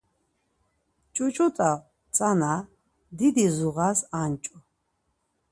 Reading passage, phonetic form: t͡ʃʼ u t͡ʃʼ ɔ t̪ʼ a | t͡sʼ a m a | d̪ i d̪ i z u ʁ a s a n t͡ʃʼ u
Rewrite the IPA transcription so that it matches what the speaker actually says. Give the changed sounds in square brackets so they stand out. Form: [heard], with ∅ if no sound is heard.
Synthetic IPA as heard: t͡ʃʼ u t͡ʃʼ [u] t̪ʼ a | t͡sʼ a [n] a | d̪ i d̪ i z u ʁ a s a n t͡ʃʼ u